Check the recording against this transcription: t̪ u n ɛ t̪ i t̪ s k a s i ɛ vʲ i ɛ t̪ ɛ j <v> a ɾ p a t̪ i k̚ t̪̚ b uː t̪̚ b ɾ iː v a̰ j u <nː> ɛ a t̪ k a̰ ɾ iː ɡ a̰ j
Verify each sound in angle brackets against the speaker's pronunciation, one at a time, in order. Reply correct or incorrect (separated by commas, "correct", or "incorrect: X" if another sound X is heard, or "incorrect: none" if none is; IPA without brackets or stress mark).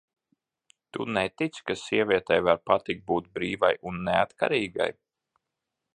correct, correct